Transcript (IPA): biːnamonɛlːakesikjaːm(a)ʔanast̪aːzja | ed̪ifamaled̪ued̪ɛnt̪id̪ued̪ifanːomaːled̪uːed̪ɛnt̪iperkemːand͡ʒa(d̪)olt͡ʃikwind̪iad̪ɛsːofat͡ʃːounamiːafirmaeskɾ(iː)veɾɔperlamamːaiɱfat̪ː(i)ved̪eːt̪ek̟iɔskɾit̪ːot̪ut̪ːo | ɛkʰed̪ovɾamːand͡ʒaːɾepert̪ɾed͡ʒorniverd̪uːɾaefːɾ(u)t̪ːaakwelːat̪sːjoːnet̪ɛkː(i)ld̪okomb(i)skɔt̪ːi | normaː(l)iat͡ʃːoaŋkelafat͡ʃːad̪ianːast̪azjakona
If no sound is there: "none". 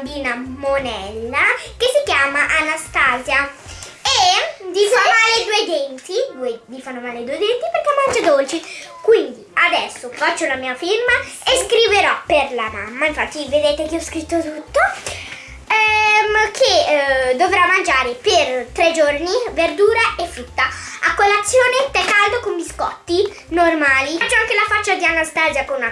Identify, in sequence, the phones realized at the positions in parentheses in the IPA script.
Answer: a, d̪, i, i, u, a, i, l

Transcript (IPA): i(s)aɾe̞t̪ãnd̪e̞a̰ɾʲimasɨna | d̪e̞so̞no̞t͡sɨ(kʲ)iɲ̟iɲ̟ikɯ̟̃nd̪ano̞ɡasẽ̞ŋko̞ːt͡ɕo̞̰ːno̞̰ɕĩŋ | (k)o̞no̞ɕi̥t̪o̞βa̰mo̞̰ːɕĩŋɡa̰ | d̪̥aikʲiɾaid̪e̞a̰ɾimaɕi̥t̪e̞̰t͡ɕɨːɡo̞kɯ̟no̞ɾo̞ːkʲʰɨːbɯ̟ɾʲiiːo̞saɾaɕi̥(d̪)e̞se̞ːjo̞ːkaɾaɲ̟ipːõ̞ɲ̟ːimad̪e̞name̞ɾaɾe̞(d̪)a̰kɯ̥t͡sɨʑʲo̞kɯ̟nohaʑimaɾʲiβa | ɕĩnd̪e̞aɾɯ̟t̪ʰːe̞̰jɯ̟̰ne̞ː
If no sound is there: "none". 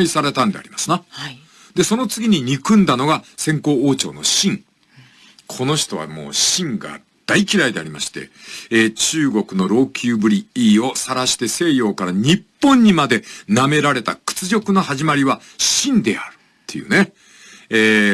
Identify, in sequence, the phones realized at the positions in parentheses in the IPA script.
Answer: s, ɡʲ, kʰ, t̪, t̪

